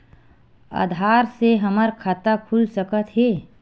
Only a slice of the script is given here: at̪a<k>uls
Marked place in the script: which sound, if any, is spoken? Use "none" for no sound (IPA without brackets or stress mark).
kʰ